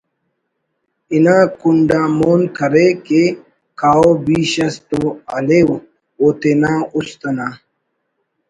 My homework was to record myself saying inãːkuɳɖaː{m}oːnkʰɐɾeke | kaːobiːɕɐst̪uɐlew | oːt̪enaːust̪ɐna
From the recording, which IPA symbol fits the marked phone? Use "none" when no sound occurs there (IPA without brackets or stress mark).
m